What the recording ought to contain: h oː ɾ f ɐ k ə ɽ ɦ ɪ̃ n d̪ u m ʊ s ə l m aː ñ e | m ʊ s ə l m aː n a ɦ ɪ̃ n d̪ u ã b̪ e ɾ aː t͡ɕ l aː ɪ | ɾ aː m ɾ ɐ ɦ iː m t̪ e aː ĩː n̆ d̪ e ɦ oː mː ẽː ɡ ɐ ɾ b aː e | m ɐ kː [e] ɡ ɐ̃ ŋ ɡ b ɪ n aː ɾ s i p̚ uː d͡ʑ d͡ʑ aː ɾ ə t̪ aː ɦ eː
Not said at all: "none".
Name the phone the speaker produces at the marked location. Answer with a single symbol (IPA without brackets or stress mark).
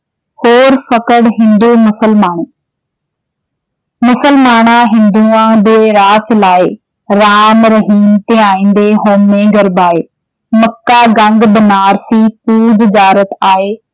a